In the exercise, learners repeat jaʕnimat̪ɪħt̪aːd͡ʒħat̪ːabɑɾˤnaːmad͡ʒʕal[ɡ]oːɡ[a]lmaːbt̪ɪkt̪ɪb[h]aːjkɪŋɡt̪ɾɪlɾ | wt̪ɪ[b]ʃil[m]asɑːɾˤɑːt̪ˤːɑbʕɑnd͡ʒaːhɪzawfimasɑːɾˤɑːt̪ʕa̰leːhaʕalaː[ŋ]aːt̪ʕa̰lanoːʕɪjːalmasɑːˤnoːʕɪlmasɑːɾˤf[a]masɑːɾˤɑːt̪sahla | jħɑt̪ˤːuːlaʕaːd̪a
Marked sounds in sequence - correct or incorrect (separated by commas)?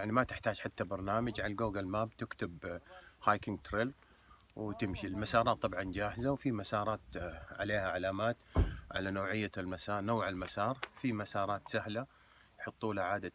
correct, correct, correct, incorrect, correct, incorrect, incorrect